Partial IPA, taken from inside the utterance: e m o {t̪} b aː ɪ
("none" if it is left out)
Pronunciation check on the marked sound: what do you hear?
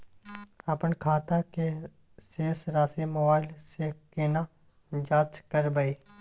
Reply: none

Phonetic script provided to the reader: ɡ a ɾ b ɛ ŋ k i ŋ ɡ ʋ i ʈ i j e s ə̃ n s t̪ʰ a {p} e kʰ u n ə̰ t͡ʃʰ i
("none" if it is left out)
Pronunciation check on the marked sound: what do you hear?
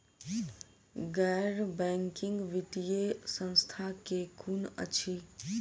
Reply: k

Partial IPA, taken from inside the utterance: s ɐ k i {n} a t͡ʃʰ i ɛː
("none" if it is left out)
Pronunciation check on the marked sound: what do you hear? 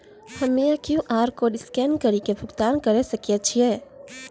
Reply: none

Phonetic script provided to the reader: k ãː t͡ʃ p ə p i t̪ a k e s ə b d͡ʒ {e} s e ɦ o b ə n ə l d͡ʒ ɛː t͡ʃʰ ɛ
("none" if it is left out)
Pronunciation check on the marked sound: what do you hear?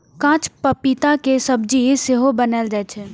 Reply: i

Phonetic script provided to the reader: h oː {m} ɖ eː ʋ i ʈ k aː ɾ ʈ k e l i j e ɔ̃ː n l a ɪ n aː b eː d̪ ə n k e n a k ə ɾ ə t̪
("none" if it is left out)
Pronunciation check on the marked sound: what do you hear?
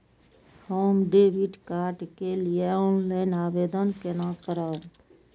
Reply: m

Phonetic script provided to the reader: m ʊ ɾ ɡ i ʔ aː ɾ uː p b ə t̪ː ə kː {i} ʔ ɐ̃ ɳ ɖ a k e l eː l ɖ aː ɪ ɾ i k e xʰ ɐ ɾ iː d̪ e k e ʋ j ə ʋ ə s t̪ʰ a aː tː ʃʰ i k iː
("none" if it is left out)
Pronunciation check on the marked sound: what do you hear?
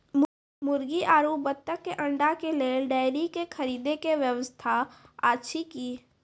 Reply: e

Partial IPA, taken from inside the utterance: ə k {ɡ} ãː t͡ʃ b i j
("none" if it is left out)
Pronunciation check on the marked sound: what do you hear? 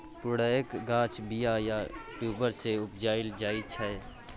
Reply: ɡ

